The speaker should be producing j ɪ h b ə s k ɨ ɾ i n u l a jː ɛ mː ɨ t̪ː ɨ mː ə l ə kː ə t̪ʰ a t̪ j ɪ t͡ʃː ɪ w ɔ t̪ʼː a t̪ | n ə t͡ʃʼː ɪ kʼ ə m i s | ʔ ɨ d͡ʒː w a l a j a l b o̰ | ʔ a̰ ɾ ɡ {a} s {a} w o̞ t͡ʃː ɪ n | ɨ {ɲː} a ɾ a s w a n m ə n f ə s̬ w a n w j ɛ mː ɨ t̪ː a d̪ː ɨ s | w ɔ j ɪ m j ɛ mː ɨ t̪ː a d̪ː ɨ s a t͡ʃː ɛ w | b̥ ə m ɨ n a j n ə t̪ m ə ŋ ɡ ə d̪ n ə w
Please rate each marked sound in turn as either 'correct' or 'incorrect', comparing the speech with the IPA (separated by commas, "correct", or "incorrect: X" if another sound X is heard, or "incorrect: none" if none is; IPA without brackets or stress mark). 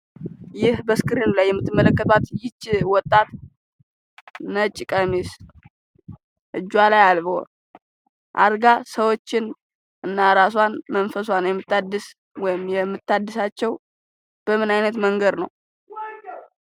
correct, incorrect: ə, incorrect: nː